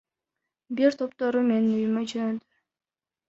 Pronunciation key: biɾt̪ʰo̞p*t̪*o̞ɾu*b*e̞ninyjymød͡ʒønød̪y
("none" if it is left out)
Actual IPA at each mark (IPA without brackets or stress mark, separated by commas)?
t̪, m